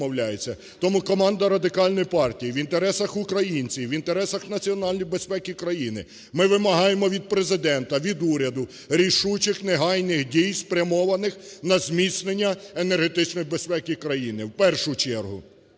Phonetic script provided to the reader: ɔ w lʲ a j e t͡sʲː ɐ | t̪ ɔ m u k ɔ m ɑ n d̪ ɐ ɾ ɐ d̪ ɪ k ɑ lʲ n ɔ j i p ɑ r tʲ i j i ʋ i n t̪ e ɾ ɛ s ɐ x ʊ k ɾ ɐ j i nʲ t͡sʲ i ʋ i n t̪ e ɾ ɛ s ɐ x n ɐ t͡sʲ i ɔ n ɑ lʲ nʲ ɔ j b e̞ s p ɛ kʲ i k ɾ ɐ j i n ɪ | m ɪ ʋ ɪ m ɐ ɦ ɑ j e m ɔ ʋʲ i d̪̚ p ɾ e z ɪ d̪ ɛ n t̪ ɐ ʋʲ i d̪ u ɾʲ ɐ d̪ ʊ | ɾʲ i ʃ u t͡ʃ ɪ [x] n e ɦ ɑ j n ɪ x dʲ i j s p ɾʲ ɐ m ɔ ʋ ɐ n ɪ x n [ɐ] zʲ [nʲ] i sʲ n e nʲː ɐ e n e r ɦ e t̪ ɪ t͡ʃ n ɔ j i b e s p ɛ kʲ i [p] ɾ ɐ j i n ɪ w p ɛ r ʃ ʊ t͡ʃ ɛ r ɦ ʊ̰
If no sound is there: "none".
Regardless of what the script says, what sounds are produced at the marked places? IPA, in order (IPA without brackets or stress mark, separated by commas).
x, ɐ, mʲ, k